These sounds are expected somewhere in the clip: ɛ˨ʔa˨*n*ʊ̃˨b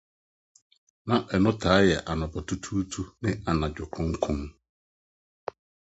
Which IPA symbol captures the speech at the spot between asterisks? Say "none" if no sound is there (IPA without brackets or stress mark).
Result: n